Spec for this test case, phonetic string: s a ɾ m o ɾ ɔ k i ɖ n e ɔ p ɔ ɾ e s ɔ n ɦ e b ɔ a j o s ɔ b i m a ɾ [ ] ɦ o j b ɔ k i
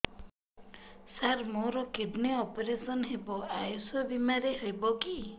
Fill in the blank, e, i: e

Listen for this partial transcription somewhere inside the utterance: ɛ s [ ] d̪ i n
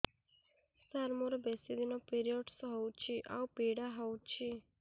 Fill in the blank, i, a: i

